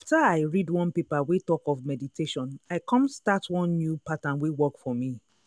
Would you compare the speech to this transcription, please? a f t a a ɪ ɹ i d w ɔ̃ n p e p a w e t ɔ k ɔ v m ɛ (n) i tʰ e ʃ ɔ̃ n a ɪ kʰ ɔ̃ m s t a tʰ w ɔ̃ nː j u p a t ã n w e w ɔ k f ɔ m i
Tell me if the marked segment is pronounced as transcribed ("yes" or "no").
no